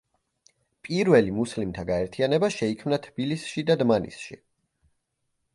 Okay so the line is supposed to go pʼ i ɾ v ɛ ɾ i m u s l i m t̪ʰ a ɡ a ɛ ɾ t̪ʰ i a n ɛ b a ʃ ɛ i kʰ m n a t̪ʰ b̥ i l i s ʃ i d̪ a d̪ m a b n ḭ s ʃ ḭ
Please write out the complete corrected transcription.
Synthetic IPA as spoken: pʼ i ɾ v ɛ l i m u s l i m t̪ʰ a ɡ a ɛ ɾ t̪ʰ i a n ɛ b a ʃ ɛ i kʰ m n a t̪ʰ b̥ i l i s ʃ i d̪ a d̪ m a n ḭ s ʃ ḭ